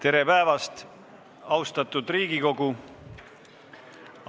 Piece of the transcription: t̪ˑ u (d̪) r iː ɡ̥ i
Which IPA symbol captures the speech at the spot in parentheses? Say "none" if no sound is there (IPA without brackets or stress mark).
d̪